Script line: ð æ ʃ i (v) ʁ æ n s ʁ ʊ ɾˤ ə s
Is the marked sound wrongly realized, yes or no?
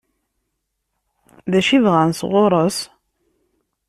no